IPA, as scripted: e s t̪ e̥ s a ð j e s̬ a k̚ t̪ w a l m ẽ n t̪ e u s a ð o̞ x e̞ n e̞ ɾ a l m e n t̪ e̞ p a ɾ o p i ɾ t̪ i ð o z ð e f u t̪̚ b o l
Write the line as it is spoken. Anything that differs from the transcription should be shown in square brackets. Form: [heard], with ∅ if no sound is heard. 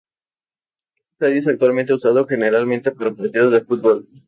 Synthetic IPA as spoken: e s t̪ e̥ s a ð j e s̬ a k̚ t̪ w a l m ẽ n t̪ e u s a ð o̞ x e̞ n e̞ ɾ a l m e n t̪ e̞ p a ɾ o p [a] ɾ t̪ i ð o z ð e f u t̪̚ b o l

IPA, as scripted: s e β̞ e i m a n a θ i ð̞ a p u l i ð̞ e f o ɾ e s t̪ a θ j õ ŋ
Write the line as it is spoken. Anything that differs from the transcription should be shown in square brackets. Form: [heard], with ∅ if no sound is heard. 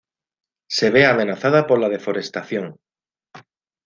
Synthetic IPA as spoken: s e β̞ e [a] m [e] n a θ [a] ð̞ a p [o] l [a] ð̞ e f o ɾ e s t̪ a θ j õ ŋ

